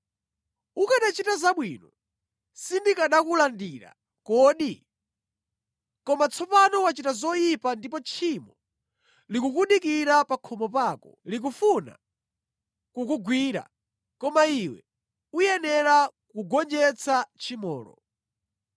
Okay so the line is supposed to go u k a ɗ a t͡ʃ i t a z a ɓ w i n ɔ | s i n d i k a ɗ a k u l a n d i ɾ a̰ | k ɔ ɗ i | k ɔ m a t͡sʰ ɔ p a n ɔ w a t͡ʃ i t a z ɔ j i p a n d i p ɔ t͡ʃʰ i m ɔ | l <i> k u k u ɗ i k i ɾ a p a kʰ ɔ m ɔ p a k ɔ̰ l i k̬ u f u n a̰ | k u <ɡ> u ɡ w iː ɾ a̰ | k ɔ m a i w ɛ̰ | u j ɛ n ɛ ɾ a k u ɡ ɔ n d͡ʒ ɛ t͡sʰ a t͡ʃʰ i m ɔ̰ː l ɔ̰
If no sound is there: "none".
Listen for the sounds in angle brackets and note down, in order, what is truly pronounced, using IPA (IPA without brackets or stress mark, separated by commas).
i, k